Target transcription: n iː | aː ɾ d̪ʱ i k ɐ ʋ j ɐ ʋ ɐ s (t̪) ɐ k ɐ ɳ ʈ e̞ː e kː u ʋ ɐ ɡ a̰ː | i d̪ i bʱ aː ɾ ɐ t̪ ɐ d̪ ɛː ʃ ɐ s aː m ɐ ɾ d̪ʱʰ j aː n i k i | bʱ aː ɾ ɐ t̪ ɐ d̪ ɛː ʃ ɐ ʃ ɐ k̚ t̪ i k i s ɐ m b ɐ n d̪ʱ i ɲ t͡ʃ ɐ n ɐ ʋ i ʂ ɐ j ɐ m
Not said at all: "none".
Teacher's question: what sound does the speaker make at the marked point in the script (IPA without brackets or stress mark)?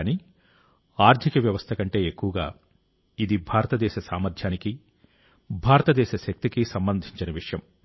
t̪ʰ